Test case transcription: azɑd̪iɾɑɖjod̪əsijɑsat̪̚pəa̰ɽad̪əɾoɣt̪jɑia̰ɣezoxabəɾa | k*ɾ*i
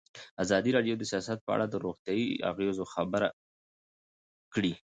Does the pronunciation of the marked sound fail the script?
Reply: yes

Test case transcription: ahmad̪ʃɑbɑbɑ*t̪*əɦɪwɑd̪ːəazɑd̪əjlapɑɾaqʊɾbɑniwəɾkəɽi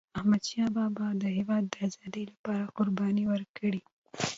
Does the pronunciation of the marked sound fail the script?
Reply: yes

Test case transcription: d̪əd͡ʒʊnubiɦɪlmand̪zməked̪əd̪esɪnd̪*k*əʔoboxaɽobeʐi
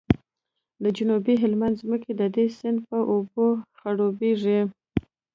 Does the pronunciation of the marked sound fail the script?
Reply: yes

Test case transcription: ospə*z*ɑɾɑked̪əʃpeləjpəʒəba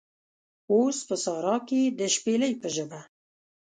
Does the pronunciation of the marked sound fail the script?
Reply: yes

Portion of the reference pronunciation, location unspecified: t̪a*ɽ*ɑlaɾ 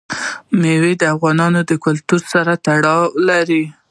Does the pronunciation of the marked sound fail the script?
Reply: no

